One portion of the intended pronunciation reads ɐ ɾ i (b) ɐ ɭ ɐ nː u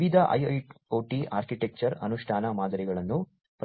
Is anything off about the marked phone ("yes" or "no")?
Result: yes